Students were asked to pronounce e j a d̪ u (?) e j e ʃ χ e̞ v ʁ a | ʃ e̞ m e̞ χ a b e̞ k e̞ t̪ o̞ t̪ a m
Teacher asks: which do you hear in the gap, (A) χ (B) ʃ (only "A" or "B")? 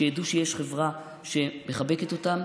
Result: B